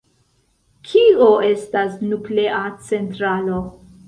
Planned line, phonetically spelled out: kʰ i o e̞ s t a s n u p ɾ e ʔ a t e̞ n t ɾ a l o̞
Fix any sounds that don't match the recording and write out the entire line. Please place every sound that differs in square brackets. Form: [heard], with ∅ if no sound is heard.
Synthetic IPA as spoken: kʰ i o e̞ s t a s n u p [l] e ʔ a [t͡s] e̞ n t ɾ a l o̞